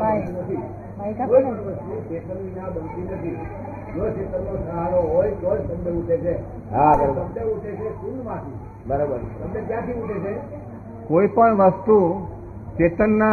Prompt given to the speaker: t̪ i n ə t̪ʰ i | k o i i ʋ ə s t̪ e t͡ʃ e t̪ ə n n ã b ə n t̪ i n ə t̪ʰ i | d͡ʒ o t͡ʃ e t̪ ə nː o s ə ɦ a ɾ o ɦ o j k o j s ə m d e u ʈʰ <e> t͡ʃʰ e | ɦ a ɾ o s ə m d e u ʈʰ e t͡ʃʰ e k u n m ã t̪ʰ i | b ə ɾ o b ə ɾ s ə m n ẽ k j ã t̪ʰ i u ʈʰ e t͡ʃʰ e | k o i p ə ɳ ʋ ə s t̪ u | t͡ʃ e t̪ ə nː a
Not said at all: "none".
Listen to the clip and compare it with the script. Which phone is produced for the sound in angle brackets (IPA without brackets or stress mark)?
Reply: e